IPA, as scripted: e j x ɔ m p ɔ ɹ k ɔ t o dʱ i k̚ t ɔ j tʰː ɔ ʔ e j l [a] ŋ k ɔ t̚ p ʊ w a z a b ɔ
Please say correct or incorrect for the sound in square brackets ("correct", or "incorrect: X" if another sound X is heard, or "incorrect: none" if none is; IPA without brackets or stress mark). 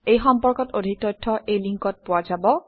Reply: incorrect: i